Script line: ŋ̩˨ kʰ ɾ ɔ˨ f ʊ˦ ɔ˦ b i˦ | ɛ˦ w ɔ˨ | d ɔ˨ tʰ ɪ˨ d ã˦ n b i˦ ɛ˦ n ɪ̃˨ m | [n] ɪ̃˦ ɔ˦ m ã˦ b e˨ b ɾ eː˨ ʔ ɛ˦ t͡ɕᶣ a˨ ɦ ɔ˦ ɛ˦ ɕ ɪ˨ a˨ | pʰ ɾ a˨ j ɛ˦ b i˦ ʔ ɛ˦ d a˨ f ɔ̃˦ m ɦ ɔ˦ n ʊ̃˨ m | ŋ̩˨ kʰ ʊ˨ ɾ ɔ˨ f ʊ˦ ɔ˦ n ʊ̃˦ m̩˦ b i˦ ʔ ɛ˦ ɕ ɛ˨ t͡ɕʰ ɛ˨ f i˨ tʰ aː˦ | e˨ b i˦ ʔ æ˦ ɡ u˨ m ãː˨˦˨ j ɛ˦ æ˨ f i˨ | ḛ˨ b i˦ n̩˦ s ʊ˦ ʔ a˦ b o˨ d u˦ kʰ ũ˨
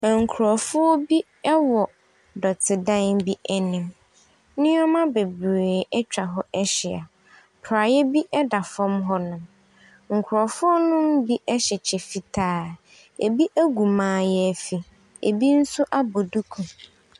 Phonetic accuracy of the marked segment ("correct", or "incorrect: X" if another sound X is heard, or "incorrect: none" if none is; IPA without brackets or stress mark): correct